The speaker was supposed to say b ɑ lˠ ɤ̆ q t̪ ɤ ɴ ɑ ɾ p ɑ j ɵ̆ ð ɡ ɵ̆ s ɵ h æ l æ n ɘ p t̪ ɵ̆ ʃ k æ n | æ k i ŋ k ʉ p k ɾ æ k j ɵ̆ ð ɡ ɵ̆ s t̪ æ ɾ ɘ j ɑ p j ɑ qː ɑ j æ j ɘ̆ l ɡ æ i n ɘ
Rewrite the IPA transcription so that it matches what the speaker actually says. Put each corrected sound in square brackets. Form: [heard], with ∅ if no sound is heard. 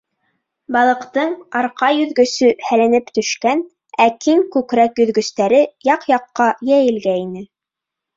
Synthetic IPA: b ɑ lˠ ɤ̆ q t̪ ɤ ɴ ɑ ɾ [q] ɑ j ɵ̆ ð ɡ ɵ̆ s ɵ h æ l æ n ɘ p t̪ ɵ̆ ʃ k æ n | æ k i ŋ k ʉ [∅] k ɾ æ k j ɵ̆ ð ɡ ɵ̆ s t̪ æ ɾ ɘ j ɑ [q] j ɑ qː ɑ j æ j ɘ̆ l ɡ æ i n ɘ